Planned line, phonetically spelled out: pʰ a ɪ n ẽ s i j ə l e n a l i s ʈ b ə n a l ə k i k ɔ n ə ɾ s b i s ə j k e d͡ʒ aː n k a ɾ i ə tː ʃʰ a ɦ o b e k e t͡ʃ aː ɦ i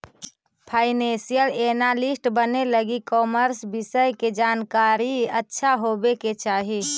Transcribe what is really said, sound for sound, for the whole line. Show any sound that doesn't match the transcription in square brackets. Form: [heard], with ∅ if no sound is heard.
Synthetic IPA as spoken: pʰ a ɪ n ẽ s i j ə l e n a l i s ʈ b ə n [e] l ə [ɡ] i k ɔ [m] ə ɾ s b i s ə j k e d͡ʒ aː n k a ɾ i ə tː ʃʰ a ɦ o b e k e t͡ʃ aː ɦ i